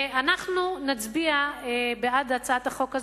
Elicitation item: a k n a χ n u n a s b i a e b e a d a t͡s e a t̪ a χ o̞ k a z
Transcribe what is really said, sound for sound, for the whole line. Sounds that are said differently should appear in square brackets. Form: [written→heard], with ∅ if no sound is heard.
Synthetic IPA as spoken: a [k→∅] n a χ n u n a [s→t͡s] b i a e b e a d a t͡s [e→a] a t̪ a χ o̞ k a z